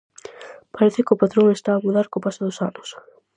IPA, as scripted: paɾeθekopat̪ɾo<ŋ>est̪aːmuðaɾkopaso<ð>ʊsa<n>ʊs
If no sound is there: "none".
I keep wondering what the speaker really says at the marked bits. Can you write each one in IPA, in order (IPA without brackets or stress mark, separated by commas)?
ŋ, ð, n